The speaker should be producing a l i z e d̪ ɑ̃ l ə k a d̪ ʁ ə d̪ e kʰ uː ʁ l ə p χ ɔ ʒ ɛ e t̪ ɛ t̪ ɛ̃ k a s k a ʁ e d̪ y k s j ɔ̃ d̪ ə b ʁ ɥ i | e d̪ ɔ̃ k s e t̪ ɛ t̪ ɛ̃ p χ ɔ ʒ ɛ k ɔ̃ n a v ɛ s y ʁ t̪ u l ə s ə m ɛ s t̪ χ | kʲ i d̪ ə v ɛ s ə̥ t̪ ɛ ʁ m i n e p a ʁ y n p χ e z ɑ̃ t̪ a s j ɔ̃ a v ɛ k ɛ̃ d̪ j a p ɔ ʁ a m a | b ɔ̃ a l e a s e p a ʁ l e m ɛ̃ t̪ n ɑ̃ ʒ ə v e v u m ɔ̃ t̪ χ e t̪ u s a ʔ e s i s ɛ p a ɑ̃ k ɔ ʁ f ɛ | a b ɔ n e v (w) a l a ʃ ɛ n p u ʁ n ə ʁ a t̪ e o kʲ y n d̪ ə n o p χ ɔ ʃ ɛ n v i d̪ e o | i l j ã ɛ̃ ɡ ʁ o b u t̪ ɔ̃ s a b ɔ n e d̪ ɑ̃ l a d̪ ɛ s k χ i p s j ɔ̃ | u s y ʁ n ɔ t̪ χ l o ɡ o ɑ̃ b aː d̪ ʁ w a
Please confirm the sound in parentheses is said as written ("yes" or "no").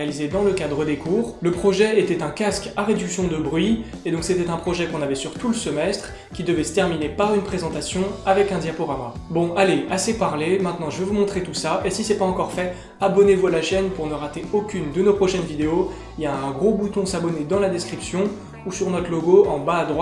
no